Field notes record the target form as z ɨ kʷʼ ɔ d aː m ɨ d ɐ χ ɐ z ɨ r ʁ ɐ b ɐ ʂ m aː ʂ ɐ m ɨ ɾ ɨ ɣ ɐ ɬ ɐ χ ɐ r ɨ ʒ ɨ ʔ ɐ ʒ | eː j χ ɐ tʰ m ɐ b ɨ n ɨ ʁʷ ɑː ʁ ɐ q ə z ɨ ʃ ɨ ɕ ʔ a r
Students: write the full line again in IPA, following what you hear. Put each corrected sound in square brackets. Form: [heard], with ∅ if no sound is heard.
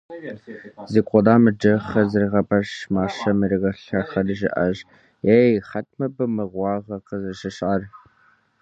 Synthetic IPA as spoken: z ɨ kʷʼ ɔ d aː m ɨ [d͡ʒ] ɐ χ ɐ z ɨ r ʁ ɐ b ɐ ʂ m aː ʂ ɐ m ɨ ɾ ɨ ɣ ɐ ɬ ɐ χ ɐ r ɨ ʒ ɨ ʔ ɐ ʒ | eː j χ ɐ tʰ m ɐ b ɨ [m] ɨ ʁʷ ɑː ʁ ɐ q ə z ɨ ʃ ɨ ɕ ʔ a r